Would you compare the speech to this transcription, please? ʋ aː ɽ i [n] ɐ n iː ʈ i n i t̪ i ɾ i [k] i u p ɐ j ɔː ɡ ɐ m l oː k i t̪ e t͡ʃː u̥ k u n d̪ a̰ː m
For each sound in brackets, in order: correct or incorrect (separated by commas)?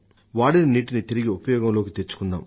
correct, incorrect